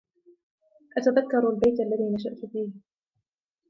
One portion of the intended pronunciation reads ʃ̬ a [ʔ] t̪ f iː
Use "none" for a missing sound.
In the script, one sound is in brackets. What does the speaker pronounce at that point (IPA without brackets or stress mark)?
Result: ʔ